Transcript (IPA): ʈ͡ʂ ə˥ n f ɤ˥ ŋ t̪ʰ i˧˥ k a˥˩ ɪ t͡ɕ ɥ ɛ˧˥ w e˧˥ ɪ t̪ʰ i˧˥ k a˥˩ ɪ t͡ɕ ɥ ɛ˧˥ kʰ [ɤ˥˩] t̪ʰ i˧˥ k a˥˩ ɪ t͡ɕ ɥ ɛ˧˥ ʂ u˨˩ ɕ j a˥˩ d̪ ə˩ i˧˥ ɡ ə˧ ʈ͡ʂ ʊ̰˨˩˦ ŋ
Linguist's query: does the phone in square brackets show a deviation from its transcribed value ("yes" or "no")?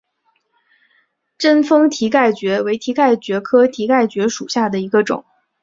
yes